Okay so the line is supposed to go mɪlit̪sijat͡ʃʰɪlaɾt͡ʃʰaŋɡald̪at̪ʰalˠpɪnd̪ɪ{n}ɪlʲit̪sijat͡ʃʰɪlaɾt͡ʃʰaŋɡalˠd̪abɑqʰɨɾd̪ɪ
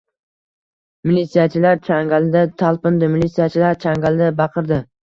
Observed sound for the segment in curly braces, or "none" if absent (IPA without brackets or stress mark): m